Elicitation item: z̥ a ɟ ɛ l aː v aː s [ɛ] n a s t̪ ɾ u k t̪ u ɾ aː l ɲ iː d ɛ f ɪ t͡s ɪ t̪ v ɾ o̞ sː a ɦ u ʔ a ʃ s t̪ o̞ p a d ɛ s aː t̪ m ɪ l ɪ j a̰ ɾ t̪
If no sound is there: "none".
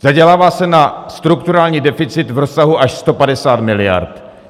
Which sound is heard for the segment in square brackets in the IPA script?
ɛ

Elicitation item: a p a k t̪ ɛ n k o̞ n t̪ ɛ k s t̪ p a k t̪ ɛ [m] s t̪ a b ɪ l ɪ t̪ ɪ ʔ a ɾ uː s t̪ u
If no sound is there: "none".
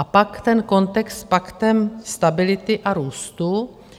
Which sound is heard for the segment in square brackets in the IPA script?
m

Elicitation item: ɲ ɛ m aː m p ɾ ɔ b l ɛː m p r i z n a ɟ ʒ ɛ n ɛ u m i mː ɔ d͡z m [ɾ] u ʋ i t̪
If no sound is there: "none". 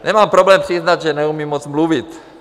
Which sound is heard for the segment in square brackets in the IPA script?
l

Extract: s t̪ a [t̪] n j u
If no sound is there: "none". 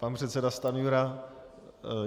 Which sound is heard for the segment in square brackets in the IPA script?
none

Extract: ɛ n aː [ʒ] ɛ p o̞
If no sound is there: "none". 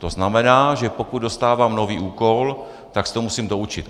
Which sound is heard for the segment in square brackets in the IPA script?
ʒ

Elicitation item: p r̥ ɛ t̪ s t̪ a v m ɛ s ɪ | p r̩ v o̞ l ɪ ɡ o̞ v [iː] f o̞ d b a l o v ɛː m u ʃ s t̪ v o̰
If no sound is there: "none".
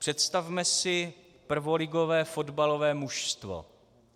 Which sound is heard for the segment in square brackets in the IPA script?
ɛː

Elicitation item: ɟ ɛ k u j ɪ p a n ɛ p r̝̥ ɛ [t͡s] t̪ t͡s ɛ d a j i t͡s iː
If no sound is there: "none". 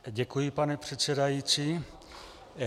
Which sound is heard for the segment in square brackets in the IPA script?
none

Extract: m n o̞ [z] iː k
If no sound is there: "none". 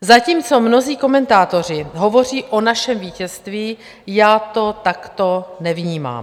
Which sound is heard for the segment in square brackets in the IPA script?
z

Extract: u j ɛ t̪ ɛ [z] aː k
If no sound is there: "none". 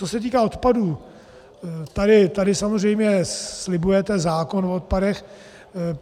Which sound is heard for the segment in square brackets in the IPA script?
z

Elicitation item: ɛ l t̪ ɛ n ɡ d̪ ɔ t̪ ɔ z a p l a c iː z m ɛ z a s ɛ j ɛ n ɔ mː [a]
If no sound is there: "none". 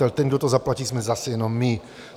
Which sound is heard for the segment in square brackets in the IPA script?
i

